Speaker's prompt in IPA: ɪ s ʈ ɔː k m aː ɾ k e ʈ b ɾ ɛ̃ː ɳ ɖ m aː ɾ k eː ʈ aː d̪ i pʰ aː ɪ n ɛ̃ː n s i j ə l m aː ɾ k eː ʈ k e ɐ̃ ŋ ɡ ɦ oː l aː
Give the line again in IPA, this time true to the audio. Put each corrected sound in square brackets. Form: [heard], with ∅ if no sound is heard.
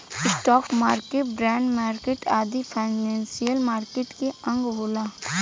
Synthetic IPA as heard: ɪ s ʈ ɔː k m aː ɾ k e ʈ b ɾ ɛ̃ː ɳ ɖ m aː ɾ k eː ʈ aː d̪ i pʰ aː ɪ n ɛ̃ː n s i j ə l m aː ɾ k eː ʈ k e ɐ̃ ŋ ɡ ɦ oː l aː